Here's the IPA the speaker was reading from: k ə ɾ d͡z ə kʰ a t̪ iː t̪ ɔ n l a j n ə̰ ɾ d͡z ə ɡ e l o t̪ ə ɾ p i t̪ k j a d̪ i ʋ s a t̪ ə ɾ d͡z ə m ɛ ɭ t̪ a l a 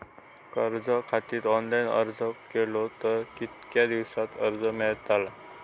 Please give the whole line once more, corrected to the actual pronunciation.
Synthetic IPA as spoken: k ə ɾ d͡z ə kʰ a t̪ iː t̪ ɔ n l a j n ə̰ ɾ d͡z ə k e l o t̪ ə ɾ k i t̪ k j a d̪ i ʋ s a t̪ ə ɾ d͡z ə m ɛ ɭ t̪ a l a